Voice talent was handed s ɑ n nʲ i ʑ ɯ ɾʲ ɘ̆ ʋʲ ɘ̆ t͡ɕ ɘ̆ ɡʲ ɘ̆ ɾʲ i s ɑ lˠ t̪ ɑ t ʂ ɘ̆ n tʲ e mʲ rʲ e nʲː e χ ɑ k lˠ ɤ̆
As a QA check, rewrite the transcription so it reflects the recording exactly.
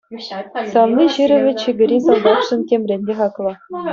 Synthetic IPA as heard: s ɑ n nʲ i ʑ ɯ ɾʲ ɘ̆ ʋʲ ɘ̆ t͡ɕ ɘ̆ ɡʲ ɘ̆ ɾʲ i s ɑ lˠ d̪ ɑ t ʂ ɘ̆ n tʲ e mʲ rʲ e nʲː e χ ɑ k lˠ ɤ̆